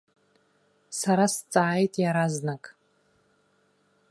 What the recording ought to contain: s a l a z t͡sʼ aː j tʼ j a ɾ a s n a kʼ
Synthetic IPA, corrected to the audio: s a ɾ a s t͡sʼ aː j tʼ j a ɾ a z n a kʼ